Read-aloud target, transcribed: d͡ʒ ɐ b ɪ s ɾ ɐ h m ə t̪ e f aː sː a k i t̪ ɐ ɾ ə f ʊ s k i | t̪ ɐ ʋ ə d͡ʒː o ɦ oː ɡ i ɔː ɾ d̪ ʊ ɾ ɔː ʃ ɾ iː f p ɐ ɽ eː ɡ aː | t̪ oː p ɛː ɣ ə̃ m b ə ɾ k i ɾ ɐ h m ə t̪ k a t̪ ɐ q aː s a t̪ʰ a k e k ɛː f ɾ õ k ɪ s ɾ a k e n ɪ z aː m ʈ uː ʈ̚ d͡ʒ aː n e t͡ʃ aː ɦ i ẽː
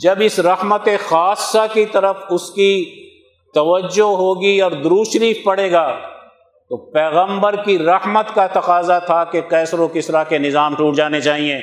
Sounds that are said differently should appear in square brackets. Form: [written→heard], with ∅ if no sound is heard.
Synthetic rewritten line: d͡ʒ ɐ b ɪ s ɾ ɐ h m ə t̪ e [f→x] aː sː a k i t̪ ɐ ɾ ə f ʊ s k i | t̪ ɐ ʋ ə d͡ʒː o ɦ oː ɡ i ɔː ɾ d̪ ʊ ɾ [ɔː→uː] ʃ ɾ iː f p ɐ ɽ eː ɡ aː | t̪ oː p ɛː ɣ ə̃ m b ə ɾ k i ɾ ɐ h m ə t̪ k a t̪ ɐ q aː [s→z] a t̪ʰ a k e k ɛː [f→s] ɾ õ k ɪ s ɾ a k e n ɪ z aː m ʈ uː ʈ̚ d͡ʒ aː n e t͡ʃ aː ɦ i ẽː